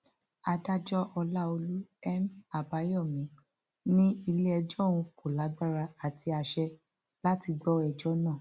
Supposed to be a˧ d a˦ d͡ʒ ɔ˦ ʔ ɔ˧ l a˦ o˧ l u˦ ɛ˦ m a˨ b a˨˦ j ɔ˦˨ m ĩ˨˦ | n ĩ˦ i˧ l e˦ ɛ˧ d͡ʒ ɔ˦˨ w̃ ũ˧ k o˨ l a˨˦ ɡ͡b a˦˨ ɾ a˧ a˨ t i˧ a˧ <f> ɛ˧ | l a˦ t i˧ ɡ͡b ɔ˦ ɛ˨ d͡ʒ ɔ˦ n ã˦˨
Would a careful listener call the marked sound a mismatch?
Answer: yes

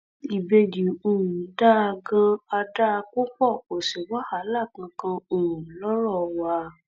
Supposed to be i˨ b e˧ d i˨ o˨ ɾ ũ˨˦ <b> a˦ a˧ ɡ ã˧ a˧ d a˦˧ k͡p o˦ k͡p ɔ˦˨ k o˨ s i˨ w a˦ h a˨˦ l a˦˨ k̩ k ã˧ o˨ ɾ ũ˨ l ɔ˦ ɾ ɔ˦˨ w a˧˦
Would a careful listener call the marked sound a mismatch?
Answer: yes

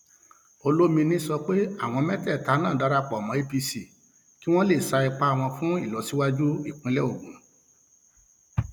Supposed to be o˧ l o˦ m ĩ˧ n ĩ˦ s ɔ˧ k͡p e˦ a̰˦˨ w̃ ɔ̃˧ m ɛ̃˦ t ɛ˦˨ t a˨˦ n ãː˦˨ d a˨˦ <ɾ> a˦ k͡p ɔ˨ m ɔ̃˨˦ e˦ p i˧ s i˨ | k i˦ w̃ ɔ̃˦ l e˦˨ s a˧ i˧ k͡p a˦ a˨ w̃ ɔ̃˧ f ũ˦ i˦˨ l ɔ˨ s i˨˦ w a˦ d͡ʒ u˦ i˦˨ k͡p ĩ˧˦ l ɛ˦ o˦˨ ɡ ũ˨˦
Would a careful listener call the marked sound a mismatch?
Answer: no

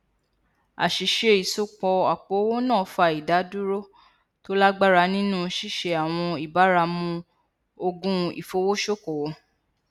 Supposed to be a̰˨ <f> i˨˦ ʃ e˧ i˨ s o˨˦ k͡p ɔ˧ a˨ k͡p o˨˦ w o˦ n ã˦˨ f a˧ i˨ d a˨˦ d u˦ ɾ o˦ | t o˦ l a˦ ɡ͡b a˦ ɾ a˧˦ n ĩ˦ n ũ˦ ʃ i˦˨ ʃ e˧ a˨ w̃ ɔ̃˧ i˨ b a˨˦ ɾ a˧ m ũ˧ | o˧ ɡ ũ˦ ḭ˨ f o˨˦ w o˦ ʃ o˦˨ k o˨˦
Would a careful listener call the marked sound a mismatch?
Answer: yes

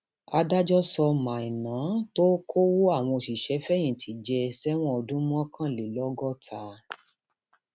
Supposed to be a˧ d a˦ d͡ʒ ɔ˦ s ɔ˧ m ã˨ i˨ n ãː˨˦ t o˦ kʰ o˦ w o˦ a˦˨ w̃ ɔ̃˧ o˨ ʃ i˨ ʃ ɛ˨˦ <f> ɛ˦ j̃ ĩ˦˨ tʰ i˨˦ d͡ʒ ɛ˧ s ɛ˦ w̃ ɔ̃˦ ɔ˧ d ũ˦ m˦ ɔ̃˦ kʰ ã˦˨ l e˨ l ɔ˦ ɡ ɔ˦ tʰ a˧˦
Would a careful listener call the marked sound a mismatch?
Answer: no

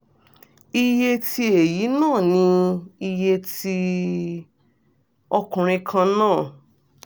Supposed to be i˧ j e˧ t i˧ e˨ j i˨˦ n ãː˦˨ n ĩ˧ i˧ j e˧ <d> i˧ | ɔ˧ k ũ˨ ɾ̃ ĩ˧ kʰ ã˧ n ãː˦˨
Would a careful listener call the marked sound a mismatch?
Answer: yes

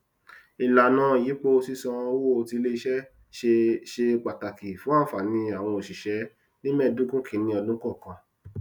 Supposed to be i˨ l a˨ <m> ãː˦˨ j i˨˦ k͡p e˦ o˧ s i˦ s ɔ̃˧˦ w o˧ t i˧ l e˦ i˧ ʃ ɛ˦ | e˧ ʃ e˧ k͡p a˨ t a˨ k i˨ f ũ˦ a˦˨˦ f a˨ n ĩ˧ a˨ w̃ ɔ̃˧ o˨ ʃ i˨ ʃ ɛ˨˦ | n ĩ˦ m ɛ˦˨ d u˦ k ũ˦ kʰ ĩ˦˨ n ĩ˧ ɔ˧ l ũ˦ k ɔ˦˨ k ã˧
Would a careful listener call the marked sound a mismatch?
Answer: yes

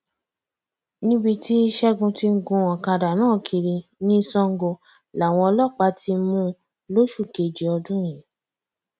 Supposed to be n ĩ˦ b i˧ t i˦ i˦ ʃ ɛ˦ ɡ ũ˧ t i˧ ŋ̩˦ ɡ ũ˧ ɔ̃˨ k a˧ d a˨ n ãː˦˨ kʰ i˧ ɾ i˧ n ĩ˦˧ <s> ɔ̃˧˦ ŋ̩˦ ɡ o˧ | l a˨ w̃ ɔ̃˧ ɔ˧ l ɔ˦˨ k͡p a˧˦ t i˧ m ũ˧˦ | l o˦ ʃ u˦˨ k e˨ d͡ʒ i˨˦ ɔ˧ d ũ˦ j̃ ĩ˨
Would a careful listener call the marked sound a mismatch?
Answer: no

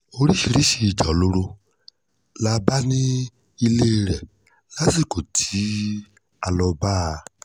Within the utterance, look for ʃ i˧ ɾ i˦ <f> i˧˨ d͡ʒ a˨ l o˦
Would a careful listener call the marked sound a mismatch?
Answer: yes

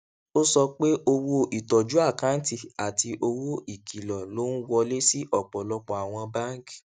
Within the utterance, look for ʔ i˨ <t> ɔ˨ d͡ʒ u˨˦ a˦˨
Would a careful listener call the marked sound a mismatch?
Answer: no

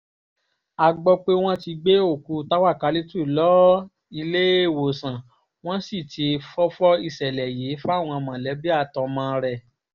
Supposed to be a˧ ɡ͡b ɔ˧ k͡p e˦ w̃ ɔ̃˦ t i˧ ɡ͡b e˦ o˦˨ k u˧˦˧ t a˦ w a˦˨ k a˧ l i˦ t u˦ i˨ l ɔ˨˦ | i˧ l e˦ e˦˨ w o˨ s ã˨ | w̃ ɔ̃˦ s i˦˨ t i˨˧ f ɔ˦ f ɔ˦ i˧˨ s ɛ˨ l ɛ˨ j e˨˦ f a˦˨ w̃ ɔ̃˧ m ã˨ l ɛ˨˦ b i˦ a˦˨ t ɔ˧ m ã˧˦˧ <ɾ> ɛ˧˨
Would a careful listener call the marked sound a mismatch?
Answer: no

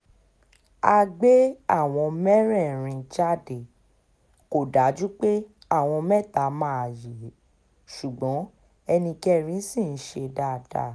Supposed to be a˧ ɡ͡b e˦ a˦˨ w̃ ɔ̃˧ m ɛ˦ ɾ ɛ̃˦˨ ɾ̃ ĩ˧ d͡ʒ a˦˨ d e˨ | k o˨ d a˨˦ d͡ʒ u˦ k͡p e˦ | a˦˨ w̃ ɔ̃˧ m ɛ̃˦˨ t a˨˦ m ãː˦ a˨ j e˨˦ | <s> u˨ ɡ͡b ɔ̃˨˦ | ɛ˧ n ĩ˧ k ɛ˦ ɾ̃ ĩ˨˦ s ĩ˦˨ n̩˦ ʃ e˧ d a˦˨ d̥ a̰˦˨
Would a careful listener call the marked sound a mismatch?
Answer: yes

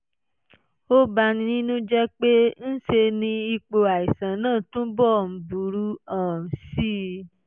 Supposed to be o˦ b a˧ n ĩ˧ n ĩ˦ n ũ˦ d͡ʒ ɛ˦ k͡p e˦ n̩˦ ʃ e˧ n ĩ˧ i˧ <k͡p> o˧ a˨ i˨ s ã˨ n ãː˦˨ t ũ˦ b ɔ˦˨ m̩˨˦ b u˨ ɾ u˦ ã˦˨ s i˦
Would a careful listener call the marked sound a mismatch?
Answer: no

